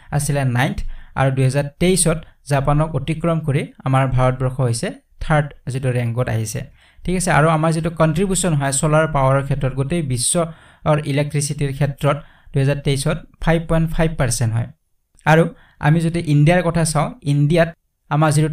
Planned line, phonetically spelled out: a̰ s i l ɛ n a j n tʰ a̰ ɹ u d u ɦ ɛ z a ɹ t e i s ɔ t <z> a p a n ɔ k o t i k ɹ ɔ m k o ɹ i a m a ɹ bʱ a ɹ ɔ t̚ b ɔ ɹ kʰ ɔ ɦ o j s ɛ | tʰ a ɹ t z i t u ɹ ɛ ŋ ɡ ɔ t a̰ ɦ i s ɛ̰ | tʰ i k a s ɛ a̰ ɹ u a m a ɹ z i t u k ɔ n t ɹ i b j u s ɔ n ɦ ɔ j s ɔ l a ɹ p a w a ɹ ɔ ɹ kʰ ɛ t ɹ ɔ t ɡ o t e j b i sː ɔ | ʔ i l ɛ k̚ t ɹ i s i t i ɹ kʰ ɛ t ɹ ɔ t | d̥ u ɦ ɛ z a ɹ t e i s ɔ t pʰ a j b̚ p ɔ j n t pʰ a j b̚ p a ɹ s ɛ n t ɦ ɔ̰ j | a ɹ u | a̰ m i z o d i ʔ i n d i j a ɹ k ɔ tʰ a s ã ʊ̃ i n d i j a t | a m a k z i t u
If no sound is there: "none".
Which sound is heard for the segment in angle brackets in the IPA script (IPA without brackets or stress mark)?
z